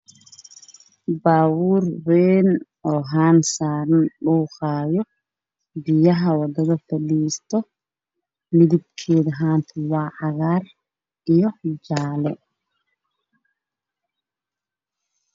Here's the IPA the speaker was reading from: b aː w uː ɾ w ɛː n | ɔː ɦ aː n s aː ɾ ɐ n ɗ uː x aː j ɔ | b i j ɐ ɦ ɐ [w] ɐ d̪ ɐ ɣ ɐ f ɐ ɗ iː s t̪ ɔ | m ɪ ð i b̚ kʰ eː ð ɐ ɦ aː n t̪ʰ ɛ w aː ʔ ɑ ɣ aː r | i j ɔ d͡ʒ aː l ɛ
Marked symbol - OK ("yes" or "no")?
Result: yes